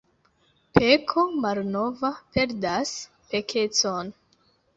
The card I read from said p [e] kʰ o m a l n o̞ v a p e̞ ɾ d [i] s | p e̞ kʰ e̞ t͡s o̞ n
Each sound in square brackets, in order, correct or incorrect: correct, incorrect: a

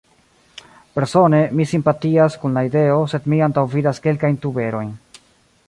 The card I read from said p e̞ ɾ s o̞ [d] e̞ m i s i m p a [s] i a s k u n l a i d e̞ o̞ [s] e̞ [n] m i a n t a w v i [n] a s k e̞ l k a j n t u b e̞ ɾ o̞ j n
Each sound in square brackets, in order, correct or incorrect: incorrect: n, incorrect: t, correct, incorrect: d, incorrect: d

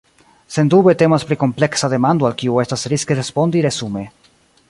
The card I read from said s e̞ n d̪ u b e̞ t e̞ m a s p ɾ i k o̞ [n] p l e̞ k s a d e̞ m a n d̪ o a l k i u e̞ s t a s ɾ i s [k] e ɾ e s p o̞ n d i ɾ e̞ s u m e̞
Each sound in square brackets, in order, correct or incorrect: incorrect: m, correct

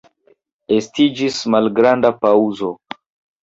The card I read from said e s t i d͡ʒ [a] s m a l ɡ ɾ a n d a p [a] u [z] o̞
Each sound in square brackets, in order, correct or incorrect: incorrect: i, correct, correct

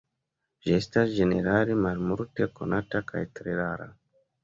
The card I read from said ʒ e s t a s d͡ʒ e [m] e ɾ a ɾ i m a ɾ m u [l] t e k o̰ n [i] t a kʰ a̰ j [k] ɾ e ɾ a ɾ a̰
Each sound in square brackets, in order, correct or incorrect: incorrect: n, incorrect: ɾ, incorrect: a, incorrect: t

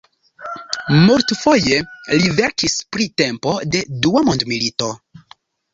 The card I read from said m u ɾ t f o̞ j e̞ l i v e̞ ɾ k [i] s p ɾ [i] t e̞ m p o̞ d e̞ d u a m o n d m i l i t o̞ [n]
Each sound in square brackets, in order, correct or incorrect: correct, correct, incorrect: none

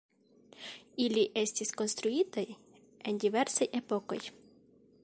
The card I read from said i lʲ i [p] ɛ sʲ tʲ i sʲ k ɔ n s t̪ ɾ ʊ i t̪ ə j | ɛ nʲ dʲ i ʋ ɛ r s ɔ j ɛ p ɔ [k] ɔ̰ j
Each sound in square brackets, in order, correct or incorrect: incorrect: ʔ, correct

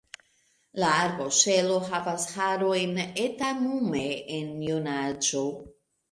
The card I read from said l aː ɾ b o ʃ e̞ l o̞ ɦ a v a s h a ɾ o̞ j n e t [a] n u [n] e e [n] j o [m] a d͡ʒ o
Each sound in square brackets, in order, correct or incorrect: correct, incorrect: m, correct, incorrect: n

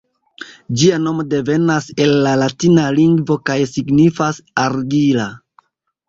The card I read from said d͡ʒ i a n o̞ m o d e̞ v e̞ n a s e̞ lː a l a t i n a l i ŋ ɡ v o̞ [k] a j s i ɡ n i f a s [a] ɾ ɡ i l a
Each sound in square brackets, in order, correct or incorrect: correct, correct

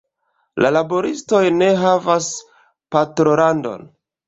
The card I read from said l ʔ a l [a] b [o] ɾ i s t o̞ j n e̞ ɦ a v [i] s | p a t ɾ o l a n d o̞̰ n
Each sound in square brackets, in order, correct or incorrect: correct, correct, incorrect: a

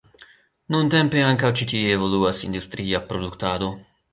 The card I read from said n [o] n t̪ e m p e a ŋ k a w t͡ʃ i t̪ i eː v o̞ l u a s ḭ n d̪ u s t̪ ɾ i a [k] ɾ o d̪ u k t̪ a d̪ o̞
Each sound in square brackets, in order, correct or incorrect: incorrect: u, incorrect: p

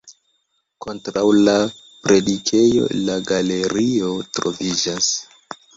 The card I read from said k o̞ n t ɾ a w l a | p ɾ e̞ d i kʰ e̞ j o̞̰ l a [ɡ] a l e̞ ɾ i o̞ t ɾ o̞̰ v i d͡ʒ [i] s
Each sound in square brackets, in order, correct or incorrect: correct, incorrect: a

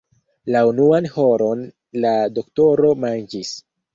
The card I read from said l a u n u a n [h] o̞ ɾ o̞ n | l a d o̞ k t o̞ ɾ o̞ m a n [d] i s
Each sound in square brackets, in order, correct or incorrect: correct, incorrect: d͡ʒ

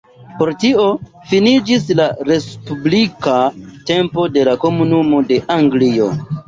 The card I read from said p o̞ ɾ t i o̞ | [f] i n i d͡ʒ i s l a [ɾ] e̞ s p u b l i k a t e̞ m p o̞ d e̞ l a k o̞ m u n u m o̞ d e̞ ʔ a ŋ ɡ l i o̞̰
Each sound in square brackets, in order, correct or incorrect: correct, correct

